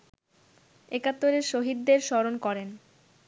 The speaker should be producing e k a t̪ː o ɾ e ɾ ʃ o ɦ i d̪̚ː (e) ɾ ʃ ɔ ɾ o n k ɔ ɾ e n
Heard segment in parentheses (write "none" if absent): e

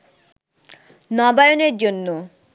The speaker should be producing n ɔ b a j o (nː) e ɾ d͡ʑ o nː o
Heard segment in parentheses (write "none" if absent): n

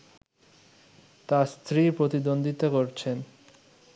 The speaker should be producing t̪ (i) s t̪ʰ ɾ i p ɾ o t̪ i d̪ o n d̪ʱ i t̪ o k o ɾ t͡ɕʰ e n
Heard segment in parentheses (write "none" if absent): a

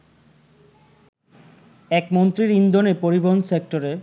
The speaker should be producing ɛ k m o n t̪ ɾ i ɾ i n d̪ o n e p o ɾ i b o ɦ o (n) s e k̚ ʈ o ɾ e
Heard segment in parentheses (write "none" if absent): n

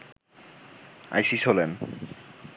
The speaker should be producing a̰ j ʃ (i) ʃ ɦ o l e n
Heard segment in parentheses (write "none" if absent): i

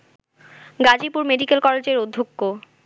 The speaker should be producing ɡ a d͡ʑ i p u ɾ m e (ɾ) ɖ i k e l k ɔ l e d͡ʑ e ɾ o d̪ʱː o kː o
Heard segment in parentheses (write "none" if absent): none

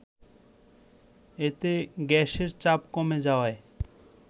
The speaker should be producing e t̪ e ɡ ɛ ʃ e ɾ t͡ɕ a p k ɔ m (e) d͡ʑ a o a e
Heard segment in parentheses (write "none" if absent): e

